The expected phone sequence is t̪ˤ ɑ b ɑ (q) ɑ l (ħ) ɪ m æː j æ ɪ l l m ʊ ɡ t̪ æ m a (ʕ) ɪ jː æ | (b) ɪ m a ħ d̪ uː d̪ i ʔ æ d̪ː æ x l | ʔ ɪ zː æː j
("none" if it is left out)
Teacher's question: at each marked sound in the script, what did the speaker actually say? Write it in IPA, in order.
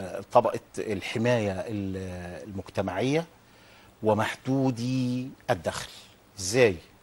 ʔ, ħ, ʕ, w

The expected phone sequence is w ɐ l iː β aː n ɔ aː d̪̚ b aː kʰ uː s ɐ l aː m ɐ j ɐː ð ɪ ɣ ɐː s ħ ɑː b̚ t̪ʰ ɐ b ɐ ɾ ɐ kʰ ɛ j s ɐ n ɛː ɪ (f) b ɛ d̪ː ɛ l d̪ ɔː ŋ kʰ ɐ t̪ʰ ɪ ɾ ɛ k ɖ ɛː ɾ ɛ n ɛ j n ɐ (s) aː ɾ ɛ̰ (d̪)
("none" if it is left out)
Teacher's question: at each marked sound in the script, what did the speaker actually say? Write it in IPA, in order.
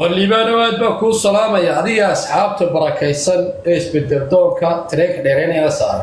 s, s, none

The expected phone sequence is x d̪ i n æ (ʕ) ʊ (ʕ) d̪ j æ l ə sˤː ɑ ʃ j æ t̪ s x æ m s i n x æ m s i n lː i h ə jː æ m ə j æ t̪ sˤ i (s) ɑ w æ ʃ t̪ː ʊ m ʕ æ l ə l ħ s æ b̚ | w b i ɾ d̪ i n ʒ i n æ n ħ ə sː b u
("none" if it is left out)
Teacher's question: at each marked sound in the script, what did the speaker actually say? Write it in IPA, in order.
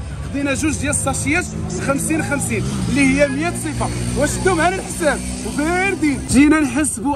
ʒ, z, f

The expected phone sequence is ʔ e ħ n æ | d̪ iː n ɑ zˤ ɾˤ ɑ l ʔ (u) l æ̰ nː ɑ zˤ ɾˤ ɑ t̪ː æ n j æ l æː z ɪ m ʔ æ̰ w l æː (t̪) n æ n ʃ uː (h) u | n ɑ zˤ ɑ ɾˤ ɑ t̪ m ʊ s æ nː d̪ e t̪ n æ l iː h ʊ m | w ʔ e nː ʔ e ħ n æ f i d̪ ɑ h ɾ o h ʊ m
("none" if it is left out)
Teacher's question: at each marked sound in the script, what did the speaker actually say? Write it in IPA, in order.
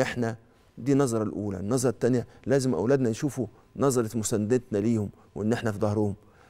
uː, d̪, f

